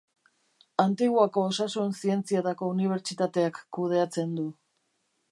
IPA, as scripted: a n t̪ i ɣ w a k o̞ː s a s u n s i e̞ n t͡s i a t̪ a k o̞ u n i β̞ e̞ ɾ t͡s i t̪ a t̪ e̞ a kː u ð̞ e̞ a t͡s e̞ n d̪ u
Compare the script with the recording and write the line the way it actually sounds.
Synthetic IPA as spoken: a n t̪ i ɣ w a k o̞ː s a s u n s i e̞ n t͡s i a t̪ a k o̞ u n i β̞ e̞ ɾ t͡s i t̪ a t̪ e̞ a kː u ð̞ e̞ a t͡s e̞ n d̪ u